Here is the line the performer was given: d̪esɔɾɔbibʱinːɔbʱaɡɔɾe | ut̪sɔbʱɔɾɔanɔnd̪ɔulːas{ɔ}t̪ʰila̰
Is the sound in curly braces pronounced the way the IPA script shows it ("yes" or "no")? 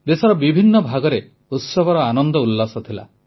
yes